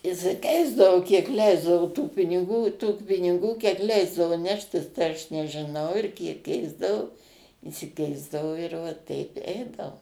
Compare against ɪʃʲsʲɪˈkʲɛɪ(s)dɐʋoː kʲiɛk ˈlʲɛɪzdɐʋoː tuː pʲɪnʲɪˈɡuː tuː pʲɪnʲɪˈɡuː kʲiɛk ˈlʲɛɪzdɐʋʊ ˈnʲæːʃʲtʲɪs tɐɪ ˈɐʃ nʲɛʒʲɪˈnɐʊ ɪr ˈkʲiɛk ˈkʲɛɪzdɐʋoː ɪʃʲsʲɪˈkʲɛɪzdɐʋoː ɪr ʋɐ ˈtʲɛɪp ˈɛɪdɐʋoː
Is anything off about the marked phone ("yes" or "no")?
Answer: yes